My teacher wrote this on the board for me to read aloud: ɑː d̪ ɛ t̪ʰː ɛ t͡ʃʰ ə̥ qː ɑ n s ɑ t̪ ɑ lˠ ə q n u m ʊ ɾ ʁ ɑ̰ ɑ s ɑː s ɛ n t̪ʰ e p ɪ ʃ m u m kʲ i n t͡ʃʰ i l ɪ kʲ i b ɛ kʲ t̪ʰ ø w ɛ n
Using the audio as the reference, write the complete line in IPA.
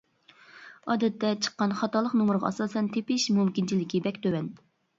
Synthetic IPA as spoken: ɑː d̪ ɛ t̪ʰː ɛ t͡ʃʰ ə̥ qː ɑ n χ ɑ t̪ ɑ lˠ ə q n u m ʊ ɾ ʁ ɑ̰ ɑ s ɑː s ɛ n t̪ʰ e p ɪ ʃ m u m kʲ i n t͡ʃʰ i l ɪ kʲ i b ɛ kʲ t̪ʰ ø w ɛ n

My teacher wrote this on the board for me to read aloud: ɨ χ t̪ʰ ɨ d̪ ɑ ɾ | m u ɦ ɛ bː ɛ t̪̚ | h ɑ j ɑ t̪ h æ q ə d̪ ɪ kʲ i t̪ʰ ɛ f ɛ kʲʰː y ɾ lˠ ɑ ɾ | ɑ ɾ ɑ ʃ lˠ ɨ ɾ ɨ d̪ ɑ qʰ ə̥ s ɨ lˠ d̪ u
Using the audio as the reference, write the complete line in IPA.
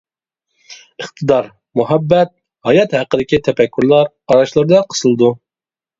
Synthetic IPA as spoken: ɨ χ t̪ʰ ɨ d̪ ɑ ɾ | m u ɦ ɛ bː ɛ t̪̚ | h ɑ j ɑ t̪ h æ q ə d̪ ɪ kʲ i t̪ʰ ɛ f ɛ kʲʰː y ɾ lˠ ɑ ɾ | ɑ ɾ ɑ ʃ lˠ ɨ ɾ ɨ d̪ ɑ qʰ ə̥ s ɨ lˠ d̪ u

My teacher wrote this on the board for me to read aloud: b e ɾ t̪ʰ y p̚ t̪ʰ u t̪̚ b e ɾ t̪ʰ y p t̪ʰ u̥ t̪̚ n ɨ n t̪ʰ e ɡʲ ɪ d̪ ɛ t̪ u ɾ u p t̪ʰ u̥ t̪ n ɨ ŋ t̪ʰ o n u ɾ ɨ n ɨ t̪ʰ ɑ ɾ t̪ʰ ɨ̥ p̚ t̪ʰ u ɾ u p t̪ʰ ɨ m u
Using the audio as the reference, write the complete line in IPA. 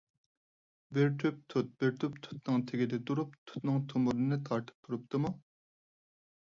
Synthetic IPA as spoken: b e ɾ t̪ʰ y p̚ t̪ʰ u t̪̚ b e ɾ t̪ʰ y p t̪ʰ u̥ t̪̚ n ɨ ŋ t̪ʰ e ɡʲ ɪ d̪ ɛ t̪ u ɾ u p t̪ʰ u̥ t̪ n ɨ ŋ t̪ʰ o m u ɾ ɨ n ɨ t̪ʰ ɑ ɾ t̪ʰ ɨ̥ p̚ t̪ʰ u ɾ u p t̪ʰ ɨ m u

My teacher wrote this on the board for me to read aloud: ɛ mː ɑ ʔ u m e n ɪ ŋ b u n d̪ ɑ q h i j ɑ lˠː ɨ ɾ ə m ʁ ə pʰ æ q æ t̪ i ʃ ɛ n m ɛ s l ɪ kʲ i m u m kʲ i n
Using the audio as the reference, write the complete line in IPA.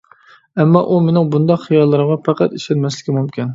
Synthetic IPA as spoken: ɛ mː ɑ ʔ u m e n ɪ ŋ b u n d̪ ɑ q χ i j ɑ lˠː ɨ ɾ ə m ʁ ɑ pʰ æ q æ t̪ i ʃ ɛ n m ɛ s l ɪ kʲ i m u m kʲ i n

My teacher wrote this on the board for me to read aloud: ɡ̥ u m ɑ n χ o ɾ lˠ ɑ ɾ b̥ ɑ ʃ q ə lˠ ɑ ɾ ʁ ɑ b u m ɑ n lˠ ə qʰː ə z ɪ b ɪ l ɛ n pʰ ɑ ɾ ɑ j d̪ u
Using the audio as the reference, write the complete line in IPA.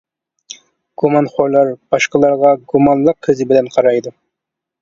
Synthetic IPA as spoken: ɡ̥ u m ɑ n χ o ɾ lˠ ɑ ɾ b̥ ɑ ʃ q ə lˠ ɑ ɾ ʁ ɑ ɡ u m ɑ n lˠ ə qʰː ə z ɪ b ɪ l ɛ n qʰ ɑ ɾ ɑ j d̪ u

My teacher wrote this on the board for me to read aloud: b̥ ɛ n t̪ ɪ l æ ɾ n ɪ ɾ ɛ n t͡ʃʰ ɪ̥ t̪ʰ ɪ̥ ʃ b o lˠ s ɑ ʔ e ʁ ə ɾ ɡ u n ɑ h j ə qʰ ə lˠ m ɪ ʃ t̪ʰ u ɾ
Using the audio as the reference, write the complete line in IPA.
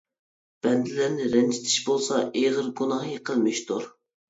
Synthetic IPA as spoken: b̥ ɛ n d̪ ɪ l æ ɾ n ɪ ɾ ɛ n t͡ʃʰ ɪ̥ t̪ʰ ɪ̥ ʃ b o lˠ s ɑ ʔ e ʁ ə ɾ ɡ u n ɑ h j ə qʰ ə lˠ m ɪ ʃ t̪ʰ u ɾ

